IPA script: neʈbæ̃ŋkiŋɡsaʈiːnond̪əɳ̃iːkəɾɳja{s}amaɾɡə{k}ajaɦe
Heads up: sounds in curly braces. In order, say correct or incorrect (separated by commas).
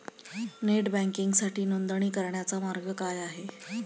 incorrect, correct